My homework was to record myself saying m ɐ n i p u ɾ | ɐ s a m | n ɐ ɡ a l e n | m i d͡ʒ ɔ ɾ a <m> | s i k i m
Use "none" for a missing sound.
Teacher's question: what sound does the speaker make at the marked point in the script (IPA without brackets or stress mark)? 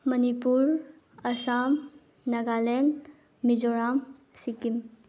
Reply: m